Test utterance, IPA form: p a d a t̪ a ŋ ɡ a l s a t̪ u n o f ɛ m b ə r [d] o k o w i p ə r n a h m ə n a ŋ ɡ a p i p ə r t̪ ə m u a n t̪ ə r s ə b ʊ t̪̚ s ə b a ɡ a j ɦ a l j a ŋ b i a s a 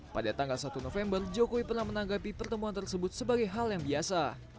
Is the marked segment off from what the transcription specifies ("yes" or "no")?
yes